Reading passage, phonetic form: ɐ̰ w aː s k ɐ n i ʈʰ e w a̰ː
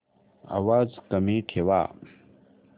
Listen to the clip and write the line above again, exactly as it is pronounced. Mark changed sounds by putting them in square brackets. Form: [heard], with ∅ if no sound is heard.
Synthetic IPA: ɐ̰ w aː [z] k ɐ [m] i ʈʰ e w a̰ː